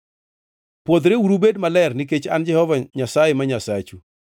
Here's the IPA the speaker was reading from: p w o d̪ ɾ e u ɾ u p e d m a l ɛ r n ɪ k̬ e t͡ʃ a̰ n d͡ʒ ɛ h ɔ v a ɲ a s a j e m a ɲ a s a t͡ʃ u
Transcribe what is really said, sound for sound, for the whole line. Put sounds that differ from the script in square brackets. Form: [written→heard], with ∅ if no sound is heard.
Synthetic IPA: p w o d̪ ɾ e u ɾ u [p→b] e d m a l ɛ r n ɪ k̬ e t͡ʃ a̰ n d͡ʒ ɛ h ɔ v a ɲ a s a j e m a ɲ a s a t͡ʃ u